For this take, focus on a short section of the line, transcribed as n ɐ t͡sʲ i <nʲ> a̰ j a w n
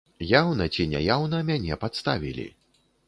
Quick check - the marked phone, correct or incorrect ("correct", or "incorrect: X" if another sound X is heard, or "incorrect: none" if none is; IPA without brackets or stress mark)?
correct